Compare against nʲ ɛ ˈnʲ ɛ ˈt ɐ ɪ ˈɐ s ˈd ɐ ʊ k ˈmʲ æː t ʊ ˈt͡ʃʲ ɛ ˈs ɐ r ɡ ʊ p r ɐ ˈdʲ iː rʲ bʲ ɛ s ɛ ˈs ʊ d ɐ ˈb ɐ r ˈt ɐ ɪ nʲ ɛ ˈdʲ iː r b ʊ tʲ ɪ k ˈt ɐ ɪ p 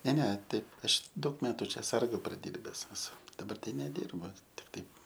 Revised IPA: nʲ ɛ ˈnʲ ɛ ˈt ɐ ɪ ˈɐ ʃ ˈd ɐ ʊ k ˈmʲ æː t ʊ ˈt͡ʃʲ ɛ ˈs ɐ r ɡ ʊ p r ɐ ˈdʲ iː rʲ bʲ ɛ s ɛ ˈs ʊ d ɐ ˈb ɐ r ˈt ɐ ɪ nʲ ɛ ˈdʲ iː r b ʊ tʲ ɪ k ˈt ɐ ɪ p

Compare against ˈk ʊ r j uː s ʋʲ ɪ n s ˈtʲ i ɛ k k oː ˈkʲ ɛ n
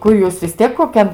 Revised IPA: ˈk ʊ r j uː s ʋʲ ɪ s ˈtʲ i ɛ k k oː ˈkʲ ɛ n

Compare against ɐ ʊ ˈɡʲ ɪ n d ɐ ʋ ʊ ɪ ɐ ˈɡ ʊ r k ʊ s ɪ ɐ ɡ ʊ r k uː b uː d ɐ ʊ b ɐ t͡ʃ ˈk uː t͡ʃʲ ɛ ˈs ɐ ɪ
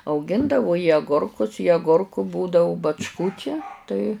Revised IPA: ɐ ʊ ˈɡʲ ɪ n d ɐ ʋ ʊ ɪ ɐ ˈɡ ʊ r k ʊ s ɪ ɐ ɡ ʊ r k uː b uː d ɐ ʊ b ɐ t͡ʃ ˈk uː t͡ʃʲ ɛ ˈt ɐ ɪ

